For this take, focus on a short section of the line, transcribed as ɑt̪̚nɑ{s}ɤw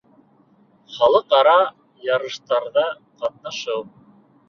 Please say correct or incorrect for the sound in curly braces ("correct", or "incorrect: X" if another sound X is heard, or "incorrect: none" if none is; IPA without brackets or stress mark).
incorrect: ʃ